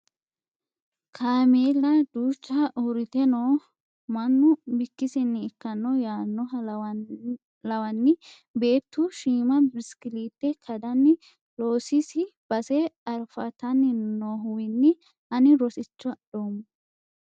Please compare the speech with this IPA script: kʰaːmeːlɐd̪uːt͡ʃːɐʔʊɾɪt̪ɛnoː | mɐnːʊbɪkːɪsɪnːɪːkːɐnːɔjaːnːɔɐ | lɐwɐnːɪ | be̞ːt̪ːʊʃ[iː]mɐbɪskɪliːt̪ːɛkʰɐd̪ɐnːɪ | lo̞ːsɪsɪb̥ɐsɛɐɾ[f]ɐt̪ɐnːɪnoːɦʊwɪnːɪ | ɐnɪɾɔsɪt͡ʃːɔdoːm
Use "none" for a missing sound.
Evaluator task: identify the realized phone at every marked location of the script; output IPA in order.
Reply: iː, f

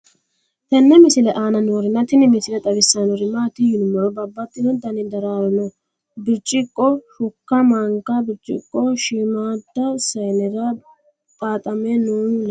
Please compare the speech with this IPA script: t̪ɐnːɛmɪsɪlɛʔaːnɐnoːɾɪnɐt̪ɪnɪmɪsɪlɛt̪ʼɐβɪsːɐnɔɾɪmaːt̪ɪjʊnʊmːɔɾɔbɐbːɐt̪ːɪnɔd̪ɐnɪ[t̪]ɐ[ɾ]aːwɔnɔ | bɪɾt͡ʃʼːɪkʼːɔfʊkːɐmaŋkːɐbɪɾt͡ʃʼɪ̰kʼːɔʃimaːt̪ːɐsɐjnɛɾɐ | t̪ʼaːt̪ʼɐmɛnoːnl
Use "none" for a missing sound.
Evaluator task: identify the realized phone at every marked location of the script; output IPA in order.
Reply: d̪, ɾ

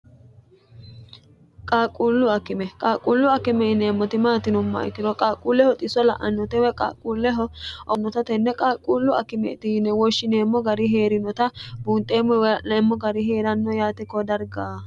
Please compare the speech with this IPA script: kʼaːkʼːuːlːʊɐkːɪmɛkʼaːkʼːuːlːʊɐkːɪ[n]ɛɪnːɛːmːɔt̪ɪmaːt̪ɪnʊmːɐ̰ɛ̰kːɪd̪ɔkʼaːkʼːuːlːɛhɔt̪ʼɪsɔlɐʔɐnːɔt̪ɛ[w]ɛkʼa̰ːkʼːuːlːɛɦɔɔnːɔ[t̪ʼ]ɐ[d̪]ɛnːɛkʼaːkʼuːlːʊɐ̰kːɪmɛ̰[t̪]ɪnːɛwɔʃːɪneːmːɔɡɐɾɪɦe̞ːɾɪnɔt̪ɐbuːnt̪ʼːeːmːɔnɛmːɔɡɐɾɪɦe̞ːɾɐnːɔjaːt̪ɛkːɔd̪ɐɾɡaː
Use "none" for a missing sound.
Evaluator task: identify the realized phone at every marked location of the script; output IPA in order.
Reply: m, w, t̪, t̪, t̪

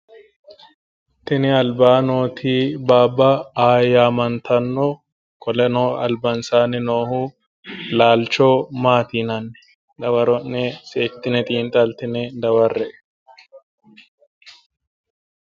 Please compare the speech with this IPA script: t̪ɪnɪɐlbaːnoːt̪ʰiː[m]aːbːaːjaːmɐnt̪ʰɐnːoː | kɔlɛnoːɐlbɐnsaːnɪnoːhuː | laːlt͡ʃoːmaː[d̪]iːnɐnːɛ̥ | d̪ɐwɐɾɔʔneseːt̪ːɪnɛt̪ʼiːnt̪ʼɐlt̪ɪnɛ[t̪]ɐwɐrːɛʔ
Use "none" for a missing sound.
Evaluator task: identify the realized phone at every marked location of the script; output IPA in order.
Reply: b, t̪, d̪

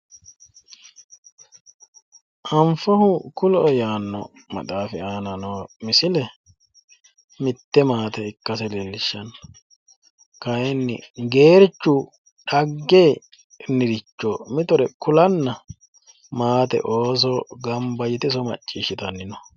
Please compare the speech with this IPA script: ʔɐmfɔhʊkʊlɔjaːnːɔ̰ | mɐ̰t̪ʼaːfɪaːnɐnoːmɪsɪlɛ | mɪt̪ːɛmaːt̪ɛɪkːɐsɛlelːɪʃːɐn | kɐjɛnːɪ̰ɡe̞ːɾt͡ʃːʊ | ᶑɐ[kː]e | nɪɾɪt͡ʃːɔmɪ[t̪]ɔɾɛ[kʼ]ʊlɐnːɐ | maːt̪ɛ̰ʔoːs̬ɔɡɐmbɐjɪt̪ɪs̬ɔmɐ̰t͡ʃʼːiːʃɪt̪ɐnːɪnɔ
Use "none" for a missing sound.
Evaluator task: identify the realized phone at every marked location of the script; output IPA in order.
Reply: ɡː, t̪, k

